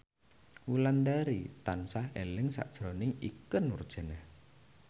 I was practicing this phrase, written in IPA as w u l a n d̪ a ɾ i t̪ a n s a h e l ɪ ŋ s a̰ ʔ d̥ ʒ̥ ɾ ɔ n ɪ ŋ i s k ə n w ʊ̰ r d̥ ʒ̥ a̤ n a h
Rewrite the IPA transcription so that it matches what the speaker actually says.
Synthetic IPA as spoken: w u l a n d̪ a ɾ i t̪ a n s a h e l ɪ ŋ s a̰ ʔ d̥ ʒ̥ ɾ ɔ n ɪ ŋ i k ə n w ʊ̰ r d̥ ʒ̥ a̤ n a h